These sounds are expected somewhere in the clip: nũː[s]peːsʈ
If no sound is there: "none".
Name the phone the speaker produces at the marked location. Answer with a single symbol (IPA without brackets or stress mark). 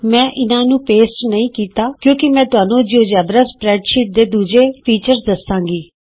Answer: none